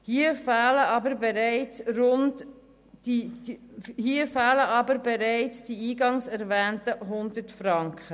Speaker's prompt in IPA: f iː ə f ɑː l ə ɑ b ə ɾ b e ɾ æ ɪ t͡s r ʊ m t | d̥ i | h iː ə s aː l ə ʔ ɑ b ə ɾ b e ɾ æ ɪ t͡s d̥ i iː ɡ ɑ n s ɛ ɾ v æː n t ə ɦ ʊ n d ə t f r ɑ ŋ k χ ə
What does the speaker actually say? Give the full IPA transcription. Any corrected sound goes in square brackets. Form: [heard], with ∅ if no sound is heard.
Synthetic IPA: [h] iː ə f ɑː l ə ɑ b ə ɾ b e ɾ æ ɪ t͡s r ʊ [n] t | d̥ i | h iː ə [f] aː l ə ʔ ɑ b ə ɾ b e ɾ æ ɪ t͡s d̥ i iː ɡ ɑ [ŋ] s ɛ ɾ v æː n t ə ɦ ʊ n d ə t f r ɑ ŋ k χ ə